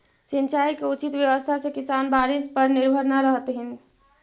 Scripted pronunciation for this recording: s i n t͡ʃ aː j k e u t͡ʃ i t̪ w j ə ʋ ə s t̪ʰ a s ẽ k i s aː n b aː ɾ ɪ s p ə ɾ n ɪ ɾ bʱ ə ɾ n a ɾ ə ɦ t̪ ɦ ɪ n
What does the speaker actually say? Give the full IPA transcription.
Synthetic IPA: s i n t͡ʃ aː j k e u t͡ʃ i t̪ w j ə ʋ ə s t̪ʰ a s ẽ k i s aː n b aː ɾ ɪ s p ə ɾ n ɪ ɾ bʱ ə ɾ n a ɾ ə ɦ t̪ ɦ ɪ n